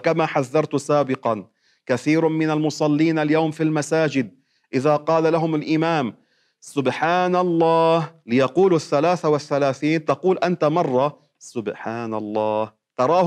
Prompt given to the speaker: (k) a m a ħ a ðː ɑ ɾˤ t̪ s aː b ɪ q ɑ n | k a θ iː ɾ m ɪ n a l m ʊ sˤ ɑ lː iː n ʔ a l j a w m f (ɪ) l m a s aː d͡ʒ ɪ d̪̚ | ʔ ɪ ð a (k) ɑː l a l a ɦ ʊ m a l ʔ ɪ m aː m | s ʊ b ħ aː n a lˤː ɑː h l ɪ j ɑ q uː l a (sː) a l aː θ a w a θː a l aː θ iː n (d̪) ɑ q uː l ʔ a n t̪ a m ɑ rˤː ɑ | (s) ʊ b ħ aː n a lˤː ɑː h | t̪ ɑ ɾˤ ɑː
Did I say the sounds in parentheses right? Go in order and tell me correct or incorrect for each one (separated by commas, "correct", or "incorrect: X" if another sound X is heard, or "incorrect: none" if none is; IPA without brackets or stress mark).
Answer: correct, incorrect: i, incorrect: q, incorrect: θː, incorrect: t̪, correct